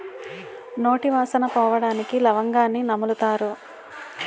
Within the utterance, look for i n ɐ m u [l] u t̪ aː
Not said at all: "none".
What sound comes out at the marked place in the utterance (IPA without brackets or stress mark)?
l